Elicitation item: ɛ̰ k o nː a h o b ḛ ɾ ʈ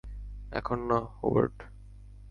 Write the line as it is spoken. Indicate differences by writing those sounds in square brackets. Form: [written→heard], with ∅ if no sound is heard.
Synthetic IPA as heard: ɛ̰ [k→kʰ] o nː a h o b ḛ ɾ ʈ